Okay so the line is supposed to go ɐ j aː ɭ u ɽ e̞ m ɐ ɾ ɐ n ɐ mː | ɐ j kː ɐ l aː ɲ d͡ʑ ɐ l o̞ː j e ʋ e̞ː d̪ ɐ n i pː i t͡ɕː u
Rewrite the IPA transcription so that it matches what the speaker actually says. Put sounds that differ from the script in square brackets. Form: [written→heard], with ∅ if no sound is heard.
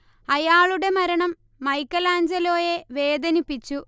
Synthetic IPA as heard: ɐ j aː ɭ u ɽ e̞ m ɐ ɾ ɐ [n→ɳ] ɐ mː | ɐ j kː ɐ l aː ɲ d͡ʑ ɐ l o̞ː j e ʋ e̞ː d̪ ɐ n i pː i t͡ɕː u